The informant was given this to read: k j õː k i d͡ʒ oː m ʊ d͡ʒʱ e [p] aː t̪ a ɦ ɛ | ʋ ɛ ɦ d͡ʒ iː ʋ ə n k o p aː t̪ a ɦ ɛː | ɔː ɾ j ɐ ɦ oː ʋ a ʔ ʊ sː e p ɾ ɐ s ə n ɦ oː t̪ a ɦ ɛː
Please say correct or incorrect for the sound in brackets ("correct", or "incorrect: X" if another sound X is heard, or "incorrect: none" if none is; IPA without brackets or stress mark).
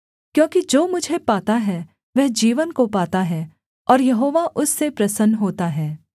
correct